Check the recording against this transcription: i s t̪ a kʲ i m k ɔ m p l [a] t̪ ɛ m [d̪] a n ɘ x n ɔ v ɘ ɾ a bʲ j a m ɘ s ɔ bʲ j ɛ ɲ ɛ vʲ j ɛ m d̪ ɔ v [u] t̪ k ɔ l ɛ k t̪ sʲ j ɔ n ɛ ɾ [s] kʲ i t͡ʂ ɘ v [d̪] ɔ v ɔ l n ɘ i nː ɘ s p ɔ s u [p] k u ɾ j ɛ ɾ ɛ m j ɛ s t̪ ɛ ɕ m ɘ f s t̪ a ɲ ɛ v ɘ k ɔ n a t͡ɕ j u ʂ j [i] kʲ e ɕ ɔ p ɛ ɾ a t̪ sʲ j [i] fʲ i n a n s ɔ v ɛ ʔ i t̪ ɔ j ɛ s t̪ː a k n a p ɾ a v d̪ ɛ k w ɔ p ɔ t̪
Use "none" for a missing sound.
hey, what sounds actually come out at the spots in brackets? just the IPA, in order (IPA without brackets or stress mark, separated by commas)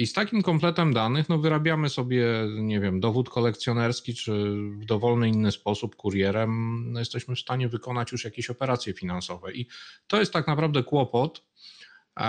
ɛ, d̪, u, s, d̪, p, a, ɛ